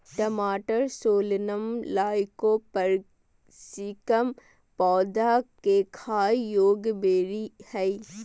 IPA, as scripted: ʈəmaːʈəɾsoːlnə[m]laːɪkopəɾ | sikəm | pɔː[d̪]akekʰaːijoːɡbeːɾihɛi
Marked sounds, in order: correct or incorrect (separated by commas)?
correct, correct